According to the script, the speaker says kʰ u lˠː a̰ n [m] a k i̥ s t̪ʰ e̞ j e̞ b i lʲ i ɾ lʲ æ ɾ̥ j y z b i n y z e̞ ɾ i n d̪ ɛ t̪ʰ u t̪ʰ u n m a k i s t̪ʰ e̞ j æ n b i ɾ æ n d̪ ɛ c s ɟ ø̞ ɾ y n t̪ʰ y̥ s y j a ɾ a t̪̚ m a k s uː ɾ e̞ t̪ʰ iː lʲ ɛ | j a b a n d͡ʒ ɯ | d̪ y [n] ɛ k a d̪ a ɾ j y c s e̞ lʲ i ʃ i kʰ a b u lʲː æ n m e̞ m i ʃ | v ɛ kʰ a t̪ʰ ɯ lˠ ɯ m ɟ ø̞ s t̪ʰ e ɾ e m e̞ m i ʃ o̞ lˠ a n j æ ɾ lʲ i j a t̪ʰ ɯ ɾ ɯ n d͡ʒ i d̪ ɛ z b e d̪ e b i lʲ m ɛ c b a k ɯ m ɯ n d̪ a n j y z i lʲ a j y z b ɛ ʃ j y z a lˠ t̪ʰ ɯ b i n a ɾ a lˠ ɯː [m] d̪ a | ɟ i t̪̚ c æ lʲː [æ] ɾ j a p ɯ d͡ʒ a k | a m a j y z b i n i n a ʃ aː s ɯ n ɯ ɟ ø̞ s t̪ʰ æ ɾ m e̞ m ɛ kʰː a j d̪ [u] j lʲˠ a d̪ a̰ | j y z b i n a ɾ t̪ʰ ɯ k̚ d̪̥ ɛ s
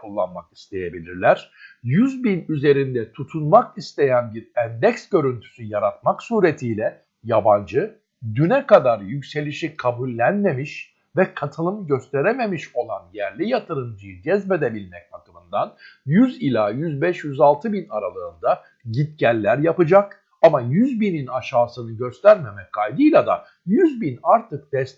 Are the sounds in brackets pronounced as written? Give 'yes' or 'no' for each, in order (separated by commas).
yes, yes, no, yes, no